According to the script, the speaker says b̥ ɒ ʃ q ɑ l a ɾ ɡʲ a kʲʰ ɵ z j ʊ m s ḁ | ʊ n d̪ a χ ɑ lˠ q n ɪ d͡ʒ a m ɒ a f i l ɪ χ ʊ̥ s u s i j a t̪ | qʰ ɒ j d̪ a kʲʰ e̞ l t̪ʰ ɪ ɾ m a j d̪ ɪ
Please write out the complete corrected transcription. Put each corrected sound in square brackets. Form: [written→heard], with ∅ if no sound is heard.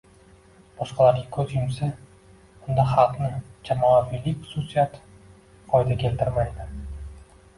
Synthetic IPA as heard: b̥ ɒ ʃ q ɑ l a ɾ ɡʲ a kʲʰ ɵ z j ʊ m s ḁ | ʊ n d̪ a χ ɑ lˠ q n ɪ d͡ʒ a m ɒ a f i l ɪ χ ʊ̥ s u s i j a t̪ | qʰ ɒ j d̪ a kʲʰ e̞ l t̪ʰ ɪ ɾ m a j d̪ ɪ

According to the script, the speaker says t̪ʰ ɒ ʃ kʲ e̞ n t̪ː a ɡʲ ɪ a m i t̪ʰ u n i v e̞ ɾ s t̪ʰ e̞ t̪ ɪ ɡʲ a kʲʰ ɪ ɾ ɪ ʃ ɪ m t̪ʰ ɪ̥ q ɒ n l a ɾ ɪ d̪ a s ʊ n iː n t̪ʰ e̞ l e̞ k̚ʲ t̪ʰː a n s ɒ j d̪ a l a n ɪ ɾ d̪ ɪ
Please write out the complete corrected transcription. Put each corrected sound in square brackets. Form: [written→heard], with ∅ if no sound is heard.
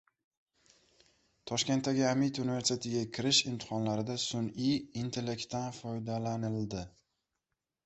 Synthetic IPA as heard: t̪ʰ ɒ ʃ kʲ e̞ n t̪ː a ɡʲ ɪ a m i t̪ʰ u n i v e̞ ɾ s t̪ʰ e̞ t̪ ɪ ɡʲ a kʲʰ ɪ ɾ ɪ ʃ ɪ m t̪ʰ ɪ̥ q ɒ n l a ɾ ɪ d̪ a s ʊ n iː n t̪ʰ e̞ l e̞ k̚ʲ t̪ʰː a n [s→f] ɒ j d̪ a l a n ɪ [ɾ→l] d̪ ɪ

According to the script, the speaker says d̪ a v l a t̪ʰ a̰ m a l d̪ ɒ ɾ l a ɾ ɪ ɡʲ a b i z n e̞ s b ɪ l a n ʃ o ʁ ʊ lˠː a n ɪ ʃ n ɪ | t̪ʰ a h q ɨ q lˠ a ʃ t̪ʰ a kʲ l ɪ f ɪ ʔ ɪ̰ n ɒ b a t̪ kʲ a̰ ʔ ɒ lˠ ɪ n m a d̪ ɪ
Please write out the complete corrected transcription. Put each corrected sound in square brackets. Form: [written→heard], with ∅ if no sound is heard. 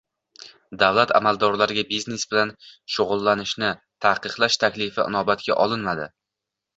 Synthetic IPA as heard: d̪ a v l a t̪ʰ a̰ m a l d̪ ɒ ɾ l a ɾ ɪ ɡʲ a b i z n e̞ s b ɪ l a n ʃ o ʁ ʊ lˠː a n ɪ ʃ n ɪ | t̪ʰ a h q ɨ q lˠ a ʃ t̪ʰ a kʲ l ɪ f ɪ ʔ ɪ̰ n ɒ b a t̪ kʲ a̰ ʔ ɒ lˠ ɪ n m a d̪ ɪ

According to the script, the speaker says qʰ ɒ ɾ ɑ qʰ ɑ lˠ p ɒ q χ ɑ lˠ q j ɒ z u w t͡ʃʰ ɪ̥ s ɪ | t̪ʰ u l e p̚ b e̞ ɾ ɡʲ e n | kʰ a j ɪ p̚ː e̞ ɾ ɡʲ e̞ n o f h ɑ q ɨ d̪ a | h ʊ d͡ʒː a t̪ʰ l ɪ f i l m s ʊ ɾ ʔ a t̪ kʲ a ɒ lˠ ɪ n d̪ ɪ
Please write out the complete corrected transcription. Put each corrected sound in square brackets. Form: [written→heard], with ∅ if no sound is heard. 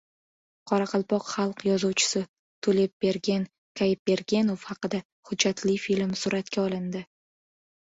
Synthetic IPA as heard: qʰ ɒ ɾ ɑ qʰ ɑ lˠ p ɒ q χ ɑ lˠ q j ɒ z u w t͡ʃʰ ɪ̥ s ɪ | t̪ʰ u l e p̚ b e̞ ɾ ɡʲ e n | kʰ a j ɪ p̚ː e̞ ɾ ɡʲ e̞ n o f h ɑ q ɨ d̪ a | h ʊ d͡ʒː a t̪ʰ l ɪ f i l m s ʊ ɾ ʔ a t̪ kʲ a ɒ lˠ ɪ n d̪ ɪ

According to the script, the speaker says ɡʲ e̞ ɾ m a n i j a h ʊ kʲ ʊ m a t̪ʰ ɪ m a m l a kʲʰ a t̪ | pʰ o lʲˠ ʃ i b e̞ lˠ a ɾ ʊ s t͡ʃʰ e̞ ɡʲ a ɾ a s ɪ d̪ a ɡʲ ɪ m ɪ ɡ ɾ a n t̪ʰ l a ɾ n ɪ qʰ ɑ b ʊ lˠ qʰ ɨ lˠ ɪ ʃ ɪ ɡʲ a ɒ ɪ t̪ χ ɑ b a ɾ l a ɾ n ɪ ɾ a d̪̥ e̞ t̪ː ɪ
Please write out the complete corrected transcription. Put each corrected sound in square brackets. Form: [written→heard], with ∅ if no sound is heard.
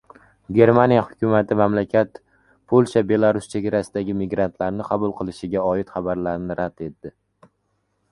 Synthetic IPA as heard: ɡʲ e̞ ɾ m a n i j a h ʊ kʲ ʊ m a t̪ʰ ɪ m a m l a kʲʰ a t̪ | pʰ o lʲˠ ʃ [i→a] b e̞ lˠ a ɾ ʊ s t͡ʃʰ e̞ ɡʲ a ɾ a s ɪ d̪ a ɡʲ ɪ m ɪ ɡ ɾ a n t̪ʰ l a ɾ n ɪ qʰ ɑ b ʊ lˠ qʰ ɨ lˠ ɪ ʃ ɪ ɡʲ a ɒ ɪ t̪ χ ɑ b a ɾ l a ɾ n ɪ ɾ a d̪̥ e̞ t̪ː ɪ

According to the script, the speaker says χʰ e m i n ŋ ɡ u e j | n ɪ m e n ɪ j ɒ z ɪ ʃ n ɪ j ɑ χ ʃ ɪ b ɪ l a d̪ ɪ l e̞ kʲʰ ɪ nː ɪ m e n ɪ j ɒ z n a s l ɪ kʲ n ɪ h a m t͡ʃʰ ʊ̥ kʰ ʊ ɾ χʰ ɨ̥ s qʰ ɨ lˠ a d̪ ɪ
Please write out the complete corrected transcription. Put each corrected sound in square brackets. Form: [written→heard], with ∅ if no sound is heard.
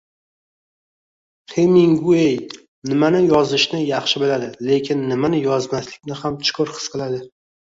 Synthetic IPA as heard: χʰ e m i [n→∅] ŋ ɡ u e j | n ɪ m [e→a] n ɪ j ɒ z ɪ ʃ n ɪ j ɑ χ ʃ ɪ b ɪ l a d̪ ɪ l e̞ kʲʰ ɪ nː ɪ m [e→a] n ɪ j ɒ z [n→m] a s l ɪ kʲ n ɪ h a m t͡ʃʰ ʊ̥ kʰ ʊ ɾ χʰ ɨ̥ s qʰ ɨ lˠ a d̪ ɪ

